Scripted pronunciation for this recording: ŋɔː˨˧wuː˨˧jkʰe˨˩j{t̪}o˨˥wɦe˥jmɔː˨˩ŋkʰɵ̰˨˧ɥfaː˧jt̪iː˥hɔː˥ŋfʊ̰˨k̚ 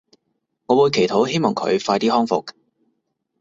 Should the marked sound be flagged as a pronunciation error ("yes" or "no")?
yes